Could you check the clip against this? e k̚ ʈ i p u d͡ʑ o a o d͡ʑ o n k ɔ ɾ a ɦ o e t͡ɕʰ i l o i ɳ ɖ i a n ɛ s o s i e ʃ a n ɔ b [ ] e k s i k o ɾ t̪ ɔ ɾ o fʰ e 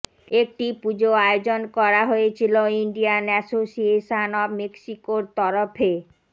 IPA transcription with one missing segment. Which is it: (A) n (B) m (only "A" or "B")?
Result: B